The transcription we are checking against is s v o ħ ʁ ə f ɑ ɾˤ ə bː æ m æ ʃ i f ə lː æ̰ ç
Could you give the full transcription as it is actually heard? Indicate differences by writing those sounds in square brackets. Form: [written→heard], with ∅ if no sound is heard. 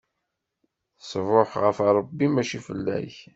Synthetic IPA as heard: s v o ħ ʁ ə f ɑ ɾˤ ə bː [æ→i] m æ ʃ i f ə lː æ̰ ç